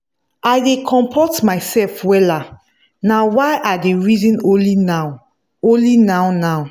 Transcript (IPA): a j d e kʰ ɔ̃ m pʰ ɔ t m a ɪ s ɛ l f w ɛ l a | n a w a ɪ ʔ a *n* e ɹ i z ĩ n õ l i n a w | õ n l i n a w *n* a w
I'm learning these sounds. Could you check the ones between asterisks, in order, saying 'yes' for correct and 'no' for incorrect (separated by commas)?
no, yes